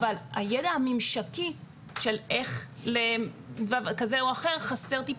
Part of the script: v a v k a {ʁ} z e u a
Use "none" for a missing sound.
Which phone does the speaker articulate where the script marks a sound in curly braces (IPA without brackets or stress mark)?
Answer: none